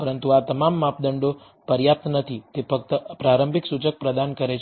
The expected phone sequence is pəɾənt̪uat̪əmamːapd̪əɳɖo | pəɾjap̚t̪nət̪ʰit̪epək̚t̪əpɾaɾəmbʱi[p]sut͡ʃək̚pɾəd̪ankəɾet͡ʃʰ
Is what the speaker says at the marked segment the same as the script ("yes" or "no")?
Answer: no